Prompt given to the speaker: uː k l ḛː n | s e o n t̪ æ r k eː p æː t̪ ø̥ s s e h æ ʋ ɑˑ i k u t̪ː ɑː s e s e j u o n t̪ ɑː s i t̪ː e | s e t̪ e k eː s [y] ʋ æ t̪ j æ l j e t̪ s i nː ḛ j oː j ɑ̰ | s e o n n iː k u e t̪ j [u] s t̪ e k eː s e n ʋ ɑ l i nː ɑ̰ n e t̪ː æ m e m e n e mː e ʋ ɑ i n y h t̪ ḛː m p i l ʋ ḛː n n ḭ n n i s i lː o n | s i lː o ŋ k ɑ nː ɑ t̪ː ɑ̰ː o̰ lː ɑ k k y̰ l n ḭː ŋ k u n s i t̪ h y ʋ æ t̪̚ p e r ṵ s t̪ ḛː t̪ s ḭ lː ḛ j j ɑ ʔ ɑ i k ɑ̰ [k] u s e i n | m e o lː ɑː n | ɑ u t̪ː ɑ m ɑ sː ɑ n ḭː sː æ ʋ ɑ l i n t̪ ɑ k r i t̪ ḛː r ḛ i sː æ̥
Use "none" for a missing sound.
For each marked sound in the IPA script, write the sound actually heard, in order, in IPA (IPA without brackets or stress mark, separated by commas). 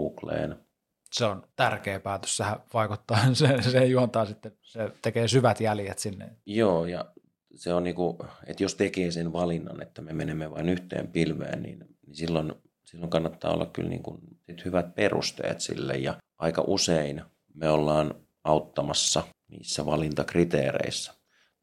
y, o, ʔ